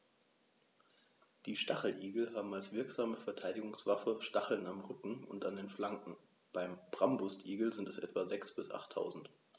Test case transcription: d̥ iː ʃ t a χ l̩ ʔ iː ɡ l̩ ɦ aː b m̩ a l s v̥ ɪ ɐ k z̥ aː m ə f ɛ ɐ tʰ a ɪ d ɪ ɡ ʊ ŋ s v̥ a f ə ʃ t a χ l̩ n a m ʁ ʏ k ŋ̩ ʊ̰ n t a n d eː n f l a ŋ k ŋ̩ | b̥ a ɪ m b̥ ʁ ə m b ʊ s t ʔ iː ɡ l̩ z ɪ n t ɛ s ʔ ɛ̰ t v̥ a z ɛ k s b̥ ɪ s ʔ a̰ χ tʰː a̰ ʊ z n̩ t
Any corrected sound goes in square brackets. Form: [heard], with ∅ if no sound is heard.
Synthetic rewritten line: d̥ iː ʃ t a χ l̩ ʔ iː ɡ l̩ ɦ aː b m̩ a l s v̥ ɪ ɐ k z̥ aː m ə f ɛ ɐ tʰ a ɪ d ɪ ɡ ʊ ŋ s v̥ a f ə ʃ t a χ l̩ n a m ʁ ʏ k ŋ̩ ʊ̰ n t a n d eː n f l a ŋ k ŋ̩ | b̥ a ɪ m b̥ ʁ [a] m b ʊ s t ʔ iː ɡ l̩ z ɪ n t ɛ s ʔ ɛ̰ t v̥ a z ɛ k s b̥ ɪ s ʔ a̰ χ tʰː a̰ ʊ z n̩ t